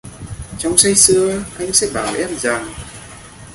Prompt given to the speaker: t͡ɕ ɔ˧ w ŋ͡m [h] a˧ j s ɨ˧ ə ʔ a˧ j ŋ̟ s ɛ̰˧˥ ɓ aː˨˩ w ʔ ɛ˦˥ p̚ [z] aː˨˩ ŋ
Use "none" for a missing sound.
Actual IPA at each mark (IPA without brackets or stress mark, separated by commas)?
s, z